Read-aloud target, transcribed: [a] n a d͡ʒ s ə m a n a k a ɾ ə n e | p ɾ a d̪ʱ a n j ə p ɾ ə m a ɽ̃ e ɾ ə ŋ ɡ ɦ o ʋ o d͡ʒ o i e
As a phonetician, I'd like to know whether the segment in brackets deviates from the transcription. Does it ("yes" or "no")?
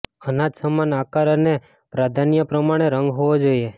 yes